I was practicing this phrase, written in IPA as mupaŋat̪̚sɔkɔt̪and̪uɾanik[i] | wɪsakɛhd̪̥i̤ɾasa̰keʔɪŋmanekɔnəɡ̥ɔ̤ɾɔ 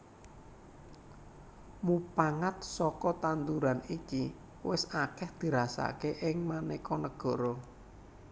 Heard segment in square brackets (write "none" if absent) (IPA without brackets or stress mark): i